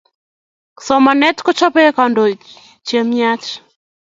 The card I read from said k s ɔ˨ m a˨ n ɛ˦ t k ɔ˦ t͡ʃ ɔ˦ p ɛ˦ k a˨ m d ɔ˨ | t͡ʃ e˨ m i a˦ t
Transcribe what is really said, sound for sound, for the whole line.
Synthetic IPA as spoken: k s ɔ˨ m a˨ n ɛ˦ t k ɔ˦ t͡ʃ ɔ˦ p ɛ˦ k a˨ n d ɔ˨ | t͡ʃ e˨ m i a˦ t͡ʃ